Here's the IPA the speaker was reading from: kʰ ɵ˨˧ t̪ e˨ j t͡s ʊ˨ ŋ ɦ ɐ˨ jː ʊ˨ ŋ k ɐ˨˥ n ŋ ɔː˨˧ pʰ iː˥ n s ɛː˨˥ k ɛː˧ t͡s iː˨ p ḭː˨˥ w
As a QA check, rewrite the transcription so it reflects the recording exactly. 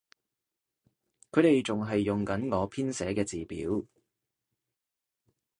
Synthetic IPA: kʰ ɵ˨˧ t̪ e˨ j t͡s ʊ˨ ŋ ɦ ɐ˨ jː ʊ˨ ŋ k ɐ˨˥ n ŋ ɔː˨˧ pʰ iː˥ n s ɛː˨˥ k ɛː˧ t͡s iː˨ p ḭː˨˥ w